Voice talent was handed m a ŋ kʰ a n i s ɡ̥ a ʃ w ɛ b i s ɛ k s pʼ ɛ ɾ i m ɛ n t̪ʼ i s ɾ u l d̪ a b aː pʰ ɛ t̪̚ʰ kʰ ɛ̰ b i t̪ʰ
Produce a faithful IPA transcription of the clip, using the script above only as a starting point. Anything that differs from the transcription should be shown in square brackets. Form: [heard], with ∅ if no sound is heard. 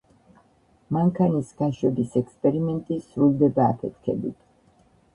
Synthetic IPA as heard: m a ŋ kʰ a n i s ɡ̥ a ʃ w ɛ b i s ɛ k s pʼ ɛ ɾ i m ɛ n t̪ʼ i s ɾ u l d̪ [ɛ] b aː pʰ ɛ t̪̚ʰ kʰ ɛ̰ b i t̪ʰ